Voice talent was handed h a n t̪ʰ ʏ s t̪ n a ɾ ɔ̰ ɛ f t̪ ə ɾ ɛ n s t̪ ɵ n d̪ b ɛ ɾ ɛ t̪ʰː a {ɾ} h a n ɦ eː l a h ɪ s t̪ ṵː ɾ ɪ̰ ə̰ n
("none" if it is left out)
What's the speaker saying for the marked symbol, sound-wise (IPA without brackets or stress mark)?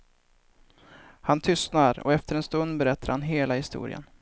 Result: ɾ